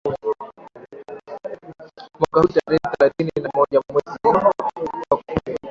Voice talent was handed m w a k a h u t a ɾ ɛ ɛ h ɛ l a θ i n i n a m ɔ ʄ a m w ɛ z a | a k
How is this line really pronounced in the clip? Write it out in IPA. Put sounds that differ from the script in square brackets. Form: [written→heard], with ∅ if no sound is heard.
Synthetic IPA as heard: m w a k a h u t a ɾ ɛ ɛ [h→θ] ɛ l a θ i n i n a m ɔ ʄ a m w ɛ z [a→i] | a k